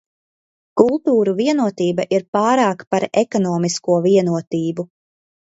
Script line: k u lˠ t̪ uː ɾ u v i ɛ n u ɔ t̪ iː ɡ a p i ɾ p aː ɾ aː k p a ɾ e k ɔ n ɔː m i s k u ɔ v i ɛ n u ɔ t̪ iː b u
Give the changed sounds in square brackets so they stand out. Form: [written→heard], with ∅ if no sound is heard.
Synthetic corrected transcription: k u lˠ t̪ uː ɾ u v i ɛ n u ɔ t̪ iː [ɡ→b] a [p→ʔ] i ɾ p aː ɾ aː k p a ɾ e k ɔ n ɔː m i s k u ɔ v i ɛ n u ɔ t̪ iː b u